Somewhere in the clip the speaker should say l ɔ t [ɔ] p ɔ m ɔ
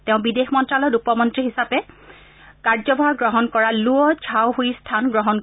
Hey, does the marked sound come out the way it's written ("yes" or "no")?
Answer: no